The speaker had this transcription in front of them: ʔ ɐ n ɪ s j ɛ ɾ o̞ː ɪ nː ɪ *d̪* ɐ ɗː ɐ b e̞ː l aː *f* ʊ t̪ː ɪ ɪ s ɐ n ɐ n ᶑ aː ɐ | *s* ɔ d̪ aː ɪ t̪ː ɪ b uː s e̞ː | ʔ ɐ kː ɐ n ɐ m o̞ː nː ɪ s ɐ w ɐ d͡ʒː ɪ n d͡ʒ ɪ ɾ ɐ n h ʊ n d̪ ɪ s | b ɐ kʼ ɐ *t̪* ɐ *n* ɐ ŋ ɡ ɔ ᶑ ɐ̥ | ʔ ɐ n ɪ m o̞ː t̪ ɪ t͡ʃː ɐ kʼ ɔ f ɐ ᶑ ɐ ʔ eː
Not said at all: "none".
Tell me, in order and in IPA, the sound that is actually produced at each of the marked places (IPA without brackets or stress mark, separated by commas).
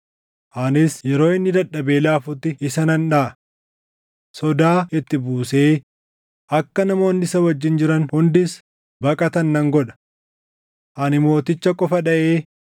d̪, f, s, t̪, nː